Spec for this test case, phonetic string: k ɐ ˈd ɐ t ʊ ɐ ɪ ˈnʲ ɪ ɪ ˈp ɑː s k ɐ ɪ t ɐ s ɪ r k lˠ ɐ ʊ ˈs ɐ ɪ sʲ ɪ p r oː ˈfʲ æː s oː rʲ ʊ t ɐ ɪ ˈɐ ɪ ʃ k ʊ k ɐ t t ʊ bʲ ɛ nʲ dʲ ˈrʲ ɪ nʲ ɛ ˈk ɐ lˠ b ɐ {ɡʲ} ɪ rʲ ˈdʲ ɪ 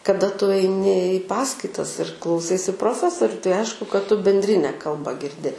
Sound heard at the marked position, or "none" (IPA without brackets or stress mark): ɡʲ